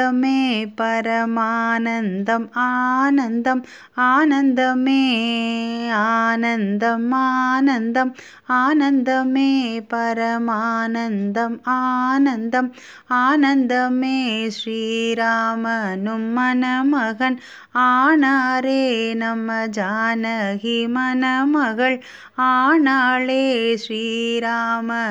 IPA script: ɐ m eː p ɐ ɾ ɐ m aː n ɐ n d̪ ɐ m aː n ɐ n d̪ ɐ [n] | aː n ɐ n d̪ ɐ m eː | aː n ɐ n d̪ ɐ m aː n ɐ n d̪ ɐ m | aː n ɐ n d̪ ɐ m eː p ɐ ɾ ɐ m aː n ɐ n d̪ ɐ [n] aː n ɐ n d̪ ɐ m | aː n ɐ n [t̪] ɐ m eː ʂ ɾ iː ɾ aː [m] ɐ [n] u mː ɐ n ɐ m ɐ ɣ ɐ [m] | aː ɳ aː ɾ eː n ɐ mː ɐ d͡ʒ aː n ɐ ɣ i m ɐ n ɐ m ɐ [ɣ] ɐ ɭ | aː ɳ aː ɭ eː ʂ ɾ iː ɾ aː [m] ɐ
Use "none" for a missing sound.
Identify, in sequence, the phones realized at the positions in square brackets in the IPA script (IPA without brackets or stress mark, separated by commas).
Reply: m, m, d̪, m, n, n, ɣ, m